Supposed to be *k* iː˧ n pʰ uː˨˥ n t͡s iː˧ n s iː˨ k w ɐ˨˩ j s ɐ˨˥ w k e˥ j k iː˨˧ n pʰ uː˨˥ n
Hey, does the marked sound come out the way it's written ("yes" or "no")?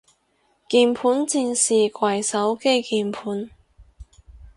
yes